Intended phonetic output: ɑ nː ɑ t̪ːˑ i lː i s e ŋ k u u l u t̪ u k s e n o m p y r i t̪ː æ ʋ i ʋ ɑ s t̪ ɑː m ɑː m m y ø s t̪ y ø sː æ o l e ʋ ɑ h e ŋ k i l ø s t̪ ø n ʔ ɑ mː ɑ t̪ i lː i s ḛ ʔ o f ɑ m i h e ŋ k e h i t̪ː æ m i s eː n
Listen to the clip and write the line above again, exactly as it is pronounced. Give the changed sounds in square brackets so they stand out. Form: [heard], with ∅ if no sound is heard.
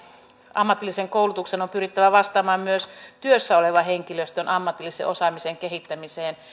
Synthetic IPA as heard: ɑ [mː] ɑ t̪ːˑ i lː i s e ŋ k [o] u l u t̪ u k s e n o m p y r i t̪ː æ ʋ [æ] ʋ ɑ s t̪ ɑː m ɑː m m y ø s t̪ y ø sː æ o l e ʋ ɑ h e ŋ k i l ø s t̪ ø n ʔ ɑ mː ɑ t̪ i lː i s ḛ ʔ o [s] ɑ m i [s] e ŋ k e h i t̪ː æ m i s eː n